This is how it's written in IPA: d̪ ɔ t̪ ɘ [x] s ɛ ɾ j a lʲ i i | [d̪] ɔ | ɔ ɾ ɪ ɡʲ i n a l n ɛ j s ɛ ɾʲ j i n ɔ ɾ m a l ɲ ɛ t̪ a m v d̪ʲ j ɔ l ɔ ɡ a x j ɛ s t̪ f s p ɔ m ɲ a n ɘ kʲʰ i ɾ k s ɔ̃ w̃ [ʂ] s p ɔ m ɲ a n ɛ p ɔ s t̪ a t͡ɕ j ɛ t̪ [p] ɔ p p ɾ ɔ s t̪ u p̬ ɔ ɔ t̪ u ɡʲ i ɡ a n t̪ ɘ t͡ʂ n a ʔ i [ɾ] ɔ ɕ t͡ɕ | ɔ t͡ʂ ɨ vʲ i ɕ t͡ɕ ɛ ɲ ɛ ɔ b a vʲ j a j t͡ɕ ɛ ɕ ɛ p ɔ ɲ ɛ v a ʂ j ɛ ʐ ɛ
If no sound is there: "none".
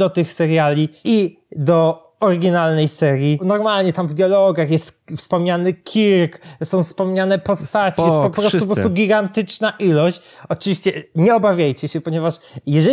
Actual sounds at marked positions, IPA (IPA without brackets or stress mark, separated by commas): x, d̪, f, p, l